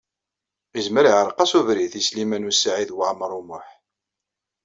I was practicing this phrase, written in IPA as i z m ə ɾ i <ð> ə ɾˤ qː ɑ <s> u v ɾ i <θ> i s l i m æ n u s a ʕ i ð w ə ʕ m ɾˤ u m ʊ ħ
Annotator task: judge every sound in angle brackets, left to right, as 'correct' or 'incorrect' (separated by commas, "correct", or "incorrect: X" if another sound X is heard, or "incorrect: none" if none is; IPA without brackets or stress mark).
incorrect: ʕ, correct, correct